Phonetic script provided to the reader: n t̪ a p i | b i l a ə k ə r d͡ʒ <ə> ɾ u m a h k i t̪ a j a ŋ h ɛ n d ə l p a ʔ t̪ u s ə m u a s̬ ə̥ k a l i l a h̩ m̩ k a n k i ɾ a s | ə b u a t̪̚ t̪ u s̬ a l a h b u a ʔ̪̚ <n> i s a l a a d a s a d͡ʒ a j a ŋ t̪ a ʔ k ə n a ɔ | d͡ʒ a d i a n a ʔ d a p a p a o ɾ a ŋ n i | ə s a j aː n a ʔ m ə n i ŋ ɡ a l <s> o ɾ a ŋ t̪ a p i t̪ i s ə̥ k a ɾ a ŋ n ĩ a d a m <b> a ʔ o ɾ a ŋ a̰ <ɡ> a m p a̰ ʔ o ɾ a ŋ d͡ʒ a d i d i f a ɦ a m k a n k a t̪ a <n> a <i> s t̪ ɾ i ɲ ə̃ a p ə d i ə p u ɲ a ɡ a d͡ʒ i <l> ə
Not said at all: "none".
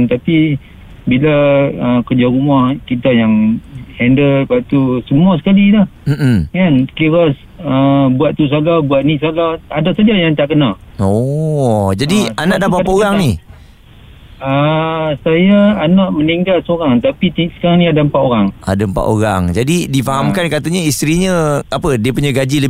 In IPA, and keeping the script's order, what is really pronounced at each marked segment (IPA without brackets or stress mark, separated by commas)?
a, n, s, p, d, ɲ, i, l